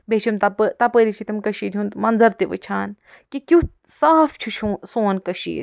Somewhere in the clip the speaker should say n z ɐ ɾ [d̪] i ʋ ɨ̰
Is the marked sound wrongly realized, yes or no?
yes